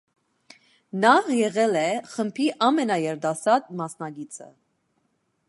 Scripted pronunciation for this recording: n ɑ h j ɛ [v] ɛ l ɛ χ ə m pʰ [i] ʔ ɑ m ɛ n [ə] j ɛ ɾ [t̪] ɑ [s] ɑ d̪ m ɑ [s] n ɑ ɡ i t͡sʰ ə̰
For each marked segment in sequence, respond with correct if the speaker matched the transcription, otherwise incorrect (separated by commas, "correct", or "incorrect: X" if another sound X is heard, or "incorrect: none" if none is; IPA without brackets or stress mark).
incorrect: ʁ, correct, incorrect: ɑ, incorrect: d̪, correct, correct